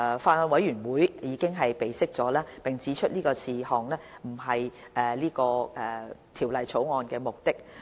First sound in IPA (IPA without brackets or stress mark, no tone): f